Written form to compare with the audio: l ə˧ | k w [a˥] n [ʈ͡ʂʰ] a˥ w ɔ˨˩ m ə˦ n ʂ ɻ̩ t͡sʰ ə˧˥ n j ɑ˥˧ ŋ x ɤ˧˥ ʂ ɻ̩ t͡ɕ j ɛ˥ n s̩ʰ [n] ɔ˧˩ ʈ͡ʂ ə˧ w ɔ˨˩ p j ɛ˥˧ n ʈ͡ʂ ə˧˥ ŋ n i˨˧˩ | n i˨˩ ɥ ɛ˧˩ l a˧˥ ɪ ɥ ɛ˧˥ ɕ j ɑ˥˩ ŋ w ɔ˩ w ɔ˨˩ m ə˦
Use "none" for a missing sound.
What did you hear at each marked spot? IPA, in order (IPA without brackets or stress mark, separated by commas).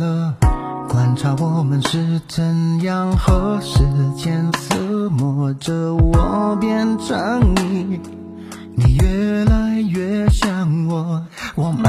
a˨˩, ʈ͡ʂʰ, m